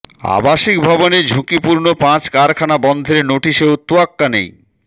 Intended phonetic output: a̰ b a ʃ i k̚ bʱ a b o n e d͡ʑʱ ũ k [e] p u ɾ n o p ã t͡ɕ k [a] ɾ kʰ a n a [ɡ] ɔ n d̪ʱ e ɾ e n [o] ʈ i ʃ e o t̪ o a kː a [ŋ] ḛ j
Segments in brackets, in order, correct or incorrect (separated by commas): incorrect, correct, incorrect, correct, incorrect